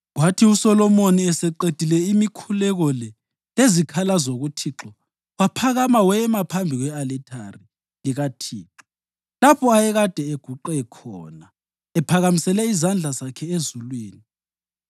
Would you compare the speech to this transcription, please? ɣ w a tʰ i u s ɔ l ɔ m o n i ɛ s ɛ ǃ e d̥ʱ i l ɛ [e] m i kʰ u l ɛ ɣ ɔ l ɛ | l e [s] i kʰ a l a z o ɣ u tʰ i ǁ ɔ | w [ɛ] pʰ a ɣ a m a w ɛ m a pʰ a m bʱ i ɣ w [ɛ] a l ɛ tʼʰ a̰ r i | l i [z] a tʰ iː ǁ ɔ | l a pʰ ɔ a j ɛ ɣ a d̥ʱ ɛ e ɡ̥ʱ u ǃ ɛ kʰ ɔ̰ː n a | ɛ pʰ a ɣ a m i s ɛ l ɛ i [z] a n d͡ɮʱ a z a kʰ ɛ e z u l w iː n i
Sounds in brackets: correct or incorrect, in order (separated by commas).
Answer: incorrect, incorrect, incorrect, correct, incorrect, correct